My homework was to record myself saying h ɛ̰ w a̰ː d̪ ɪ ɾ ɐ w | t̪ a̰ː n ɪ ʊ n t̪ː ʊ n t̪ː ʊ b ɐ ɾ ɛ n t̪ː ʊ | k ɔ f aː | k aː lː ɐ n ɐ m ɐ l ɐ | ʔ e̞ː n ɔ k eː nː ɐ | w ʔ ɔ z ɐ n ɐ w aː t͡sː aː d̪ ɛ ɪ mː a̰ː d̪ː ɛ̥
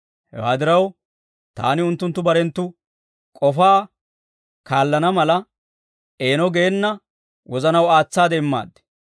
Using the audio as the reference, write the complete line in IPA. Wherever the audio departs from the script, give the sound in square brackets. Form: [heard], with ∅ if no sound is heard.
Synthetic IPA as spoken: h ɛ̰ w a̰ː d̪ ɪ ɾ ɐ w | t̪ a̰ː n ɪ ʊ n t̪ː ʊ n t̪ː ʊ b ɐ ɾ ɛ n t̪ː ʊ | [kʼ] ɔ f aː | k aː lː ɐ n ɐ m ɐ l ɐ | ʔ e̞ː n ɔ [ɡ] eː nː ɐ | w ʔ ɔ z ɐ n ɐ w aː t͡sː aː d̪ ɛ ɪ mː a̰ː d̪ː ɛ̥